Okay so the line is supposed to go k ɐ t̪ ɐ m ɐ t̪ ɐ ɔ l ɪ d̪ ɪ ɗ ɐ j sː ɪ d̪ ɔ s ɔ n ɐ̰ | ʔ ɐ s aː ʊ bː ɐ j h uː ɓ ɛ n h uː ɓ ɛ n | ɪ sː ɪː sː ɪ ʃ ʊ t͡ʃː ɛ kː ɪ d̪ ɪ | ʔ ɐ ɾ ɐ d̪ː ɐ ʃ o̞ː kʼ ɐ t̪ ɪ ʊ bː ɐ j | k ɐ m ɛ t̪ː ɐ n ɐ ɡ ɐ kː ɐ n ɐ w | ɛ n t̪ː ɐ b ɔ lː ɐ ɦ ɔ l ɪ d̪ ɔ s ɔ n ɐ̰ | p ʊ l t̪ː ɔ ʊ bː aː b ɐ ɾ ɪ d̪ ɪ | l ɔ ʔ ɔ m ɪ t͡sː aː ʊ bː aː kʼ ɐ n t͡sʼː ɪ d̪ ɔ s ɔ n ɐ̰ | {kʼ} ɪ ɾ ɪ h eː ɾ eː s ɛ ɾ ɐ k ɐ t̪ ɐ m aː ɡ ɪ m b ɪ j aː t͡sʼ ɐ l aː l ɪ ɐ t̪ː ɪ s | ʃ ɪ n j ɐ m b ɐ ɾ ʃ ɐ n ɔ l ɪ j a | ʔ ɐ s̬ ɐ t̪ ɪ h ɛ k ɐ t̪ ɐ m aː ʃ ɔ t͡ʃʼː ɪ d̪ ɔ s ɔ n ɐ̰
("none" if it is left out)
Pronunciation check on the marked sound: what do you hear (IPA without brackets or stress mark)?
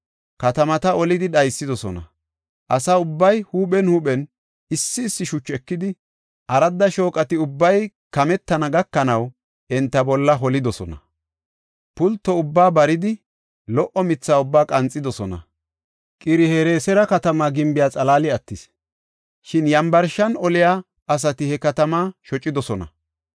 kʼ